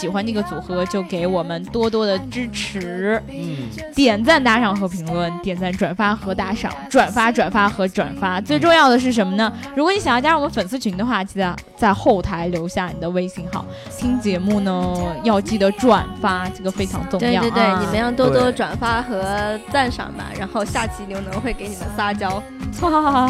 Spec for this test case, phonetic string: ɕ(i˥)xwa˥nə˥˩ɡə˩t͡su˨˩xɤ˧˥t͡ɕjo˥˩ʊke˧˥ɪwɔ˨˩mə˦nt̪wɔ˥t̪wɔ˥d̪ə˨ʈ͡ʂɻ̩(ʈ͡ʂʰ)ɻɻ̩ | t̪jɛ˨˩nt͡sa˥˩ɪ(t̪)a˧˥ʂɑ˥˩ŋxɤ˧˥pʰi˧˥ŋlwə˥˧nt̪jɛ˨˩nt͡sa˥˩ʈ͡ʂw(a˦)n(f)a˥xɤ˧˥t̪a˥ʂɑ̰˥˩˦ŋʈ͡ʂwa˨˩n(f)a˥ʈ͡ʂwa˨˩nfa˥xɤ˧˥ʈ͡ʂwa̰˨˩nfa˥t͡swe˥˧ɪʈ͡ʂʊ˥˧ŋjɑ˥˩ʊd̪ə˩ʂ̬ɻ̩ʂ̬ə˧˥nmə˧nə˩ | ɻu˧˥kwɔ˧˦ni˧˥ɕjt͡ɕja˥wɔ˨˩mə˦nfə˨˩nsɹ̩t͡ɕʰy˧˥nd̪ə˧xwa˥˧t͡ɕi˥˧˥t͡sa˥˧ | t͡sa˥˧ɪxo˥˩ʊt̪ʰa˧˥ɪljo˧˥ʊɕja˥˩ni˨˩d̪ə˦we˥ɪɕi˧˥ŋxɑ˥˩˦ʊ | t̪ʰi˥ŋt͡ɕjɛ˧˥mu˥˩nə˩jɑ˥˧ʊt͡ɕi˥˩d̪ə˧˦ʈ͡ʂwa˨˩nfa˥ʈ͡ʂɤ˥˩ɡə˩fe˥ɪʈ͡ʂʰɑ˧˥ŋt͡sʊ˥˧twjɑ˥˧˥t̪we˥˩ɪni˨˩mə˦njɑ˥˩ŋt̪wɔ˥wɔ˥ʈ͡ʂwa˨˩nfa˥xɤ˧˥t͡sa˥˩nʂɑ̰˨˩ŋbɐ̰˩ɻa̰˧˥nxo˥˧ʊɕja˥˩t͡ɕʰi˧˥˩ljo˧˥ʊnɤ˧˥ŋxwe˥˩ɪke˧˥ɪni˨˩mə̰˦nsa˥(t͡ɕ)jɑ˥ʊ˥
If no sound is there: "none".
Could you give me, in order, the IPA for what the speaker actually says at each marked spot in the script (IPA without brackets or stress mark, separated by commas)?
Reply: i˨˩, ʈ͡ʂʰ, t̪, a˨˩, f, f, t͡ɕ